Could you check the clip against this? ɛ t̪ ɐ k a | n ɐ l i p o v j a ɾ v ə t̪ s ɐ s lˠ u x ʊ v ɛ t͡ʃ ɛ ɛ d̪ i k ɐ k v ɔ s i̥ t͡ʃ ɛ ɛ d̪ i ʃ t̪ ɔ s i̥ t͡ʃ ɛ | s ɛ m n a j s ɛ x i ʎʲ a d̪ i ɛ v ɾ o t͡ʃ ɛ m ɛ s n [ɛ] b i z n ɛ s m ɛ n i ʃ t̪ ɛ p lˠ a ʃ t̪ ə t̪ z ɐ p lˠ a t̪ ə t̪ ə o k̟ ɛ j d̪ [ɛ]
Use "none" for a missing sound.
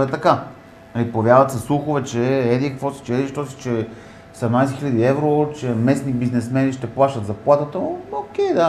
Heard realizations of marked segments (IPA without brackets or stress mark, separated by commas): i, a